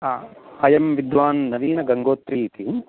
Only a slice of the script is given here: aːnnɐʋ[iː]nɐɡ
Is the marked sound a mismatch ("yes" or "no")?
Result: no